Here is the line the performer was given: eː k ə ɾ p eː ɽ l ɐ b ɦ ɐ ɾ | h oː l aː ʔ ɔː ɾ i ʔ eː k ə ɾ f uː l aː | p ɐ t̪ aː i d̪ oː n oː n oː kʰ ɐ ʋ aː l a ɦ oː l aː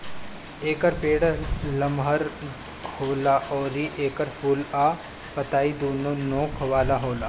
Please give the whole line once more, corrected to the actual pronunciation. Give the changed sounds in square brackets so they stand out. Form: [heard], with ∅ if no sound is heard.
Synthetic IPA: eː k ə ɾ p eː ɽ l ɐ [m] ɦ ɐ ɾ | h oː l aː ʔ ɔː ɾ i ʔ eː k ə ɾ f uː l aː | p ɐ t̪ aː i d̪ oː n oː n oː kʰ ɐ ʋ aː l a ɦ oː l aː